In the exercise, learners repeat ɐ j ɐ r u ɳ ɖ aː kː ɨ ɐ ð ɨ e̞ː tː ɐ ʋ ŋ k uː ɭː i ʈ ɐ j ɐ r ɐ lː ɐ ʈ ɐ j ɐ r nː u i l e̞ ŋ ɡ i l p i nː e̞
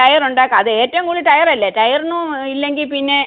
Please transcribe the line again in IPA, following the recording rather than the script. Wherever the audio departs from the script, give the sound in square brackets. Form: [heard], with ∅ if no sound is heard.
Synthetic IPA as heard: ɐ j ɐ r u ɳ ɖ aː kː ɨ ɐ ð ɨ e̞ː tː ɐ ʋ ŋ k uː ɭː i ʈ ɐ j ɐ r ɐ lː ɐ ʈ ɐ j ɐ r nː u i [lː] e̞ ŋ ɡ i l p i nː e̞

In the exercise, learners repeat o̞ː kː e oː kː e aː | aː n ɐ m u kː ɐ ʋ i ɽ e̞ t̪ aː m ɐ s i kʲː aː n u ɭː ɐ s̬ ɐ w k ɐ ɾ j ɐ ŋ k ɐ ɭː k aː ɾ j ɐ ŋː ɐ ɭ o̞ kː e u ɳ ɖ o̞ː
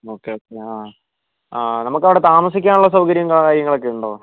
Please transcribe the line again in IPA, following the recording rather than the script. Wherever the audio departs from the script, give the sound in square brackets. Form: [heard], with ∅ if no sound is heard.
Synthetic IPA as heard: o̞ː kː e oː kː e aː | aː n ɐ m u kː ɐ ʋ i ɽ e̞ t̪ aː m ɐ s i kʲː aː n u ɭː ɐ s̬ ɐ w k ɐ ɾ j ɐ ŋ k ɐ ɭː k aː ɾ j ɐ ŋː ɐ ɭ o̞ kː e u ɳ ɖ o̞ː

